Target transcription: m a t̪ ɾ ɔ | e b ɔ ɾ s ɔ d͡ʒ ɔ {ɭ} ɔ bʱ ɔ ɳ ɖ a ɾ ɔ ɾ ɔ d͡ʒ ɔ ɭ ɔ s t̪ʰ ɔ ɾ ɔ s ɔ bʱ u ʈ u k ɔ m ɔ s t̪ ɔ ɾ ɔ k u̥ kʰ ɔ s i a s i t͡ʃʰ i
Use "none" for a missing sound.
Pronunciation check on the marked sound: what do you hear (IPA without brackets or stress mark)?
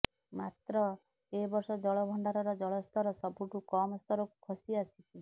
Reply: ɭ